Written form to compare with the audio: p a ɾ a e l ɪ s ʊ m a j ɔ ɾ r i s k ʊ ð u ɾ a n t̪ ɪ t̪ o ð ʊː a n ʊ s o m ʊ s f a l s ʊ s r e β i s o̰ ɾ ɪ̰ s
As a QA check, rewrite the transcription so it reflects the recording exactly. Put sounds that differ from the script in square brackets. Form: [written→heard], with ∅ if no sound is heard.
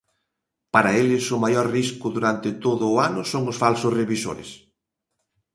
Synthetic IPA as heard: p a ɾ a e l ɪ s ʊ m a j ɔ ɾ r i s k ʊ ð u ɾ a n t̪ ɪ t̪ o ð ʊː a n ʊ s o [m→ŋ] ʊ s f a l s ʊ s r e β i s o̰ ɾ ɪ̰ s